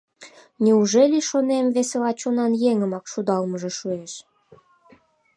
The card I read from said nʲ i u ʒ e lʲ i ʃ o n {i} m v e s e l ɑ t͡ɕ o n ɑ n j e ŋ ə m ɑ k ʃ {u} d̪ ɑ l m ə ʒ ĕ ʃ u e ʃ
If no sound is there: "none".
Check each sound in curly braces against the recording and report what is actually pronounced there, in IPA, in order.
e, u

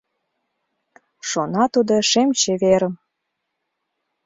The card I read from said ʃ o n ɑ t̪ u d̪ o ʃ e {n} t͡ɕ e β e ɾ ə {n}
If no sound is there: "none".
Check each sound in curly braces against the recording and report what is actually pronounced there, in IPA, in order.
m, m

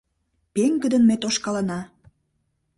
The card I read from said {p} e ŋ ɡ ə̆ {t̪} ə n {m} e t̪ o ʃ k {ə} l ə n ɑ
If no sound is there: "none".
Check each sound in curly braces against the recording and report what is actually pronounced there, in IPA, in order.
p, d̪, m, ɑ

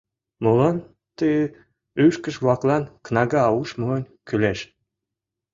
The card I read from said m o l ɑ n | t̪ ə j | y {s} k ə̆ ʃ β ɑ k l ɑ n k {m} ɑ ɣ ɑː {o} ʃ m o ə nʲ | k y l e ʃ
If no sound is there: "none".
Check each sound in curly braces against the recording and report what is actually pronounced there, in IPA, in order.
ʃ, n, u

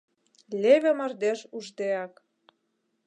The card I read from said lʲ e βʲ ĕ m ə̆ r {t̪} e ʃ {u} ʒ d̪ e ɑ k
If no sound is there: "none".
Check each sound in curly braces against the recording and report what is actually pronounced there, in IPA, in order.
d̪, u

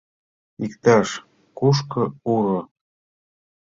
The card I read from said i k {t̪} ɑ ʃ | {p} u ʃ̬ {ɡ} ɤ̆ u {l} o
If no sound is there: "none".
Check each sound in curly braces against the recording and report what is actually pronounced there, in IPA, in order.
t̪, k, k, ɾ

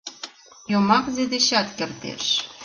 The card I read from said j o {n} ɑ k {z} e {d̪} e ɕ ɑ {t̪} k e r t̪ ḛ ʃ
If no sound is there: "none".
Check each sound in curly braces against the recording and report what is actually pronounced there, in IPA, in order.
m, z, d̪, t̪

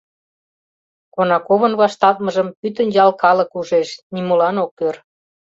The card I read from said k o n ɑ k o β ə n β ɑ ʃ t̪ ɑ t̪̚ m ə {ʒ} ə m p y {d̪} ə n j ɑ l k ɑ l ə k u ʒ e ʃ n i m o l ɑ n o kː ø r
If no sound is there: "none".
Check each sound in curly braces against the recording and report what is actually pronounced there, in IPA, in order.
ʒ, t̪

